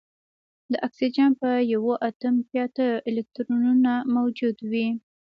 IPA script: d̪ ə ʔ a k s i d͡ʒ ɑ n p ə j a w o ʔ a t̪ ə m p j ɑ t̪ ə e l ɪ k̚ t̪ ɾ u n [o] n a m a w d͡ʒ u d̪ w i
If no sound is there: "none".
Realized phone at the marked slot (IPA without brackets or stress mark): u